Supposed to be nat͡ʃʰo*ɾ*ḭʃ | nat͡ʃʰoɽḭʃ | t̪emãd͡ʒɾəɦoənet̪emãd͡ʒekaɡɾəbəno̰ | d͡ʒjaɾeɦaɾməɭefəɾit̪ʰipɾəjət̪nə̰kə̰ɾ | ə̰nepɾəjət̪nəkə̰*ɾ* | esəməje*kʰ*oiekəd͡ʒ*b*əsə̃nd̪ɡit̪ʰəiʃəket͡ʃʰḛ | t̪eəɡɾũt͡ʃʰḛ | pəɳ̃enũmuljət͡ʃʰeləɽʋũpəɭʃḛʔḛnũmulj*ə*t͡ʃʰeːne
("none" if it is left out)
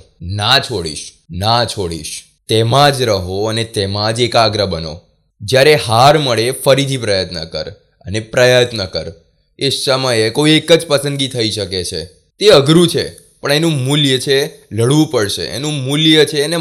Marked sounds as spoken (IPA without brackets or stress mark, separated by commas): ɽ, ɾ, k, p, ə